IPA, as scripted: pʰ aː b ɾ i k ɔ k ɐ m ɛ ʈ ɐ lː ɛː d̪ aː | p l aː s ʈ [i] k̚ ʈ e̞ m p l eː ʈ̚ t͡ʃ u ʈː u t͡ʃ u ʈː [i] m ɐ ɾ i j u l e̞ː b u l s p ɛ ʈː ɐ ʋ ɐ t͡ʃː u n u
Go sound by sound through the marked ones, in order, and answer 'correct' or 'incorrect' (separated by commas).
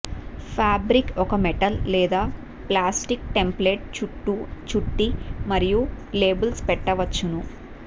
correct, correct